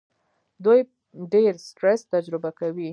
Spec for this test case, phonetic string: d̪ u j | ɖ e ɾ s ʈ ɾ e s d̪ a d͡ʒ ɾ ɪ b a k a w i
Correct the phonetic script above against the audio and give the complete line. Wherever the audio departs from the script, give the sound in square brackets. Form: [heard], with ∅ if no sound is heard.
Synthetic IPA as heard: d̪ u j | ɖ e ɾ s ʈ ɾ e s [t̪] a d͡ʒ ɾ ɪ b a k a w i